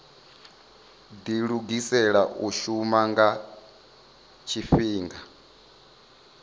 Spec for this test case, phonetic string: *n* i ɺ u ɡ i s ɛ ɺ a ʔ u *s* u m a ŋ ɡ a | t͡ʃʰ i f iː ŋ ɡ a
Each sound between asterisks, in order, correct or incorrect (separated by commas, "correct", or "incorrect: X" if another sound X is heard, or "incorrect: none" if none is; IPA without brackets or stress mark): incorrect: d, incorrect: ʃ